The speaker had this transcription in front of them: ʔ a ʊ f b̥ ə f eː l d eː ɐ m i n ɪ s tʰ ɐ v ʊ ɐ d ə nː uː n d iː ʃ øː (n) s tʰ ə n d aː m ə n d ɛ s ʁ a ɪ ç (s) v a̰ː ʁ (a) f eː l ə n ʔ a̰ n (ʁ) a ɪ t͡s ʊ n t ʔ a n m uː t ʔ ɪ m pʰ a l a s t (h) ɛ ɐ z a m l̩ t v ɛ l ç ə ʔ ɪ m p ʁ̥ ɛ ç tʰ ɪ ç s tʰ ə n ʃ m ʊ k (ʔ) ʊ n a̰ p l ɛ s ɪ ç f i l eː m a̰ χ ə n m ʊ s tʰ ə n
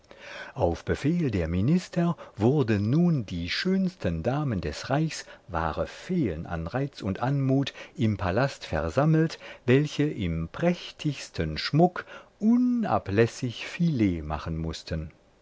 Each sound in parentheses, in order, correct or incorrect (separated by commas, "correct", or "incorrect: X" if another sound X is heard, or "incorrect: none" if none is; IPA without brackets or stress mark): correct, correct, incorrect: ə, correct, incorrect: f, correct